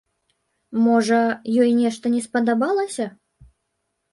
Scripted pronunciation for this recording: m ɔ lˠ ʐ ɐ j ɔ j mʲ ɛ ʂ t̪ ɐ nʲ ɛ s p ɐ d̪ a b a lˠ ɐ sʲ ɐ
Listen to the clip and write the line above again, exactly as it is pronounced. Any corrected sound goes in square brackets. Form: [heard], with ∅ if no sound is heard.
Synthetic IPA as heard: m ɔ [∅] ʐ ɐ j ɔ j [nʲ] ɛ ʂ t̪ ɐ nʲ ɛ s p ɐ d̪ a b a lˠ ɐ sʲ ɐ